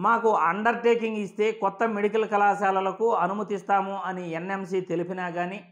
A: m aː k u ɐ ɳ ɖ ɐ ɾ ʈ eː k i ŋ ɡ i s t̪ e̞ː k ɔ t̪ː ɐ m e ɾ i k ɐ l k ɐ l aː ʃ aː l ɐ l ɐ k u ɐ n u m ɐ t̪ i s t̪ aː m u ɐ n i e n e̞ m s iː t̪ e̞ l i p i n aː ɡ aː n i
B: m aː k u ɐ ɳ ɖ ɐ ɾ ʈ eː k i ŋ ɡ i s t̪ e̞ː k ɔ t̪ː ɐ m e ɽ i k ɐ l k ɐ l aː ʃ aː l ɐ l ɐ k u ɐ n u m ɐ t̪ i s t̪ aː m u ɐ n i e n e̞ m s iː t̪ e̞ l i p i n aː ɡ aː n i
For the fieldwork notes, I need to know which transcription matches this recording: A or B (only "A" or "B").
B